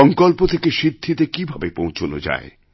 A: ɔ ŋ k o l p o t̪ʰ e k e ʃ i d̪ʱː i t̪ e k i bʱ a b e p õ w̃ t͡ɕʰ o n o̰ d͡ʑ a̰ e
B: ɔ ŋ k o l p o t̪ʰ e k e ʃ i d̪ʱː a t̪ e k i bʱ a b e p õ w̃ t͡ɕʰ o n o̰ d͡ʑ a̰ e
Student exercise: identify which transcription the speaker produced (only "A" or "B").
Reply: A